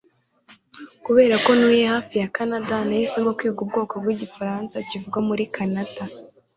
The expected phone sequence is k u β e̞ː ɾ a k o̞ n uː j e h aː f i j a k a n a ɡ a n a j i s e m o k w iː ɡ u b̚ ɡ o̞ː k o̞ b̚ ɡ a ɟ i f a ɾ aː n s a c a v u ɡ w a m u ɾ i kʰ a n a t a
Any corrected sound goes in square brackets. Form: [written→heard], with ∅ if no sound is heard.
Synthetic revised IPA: k u β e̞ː ɾ a k o̞ n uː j e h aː f i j a k a n a [ɡ→d] a n a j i s e m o k w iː ɡ u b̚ ɡ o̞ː k o̞ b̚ ɡ [a→i] ɟ i f a ɾ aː n s a c [a→i] v u ɡ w a m u ɾ i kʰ a n a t a